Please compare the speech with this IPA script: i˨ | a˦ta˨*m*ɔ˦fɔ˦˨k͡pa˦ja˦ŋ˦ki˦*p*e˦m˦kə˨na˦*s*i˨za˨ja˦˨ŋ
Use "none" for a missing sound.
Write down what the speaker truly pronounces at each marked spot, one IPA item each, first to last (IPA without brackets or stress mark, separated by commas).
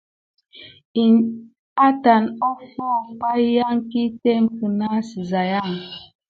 n, t, s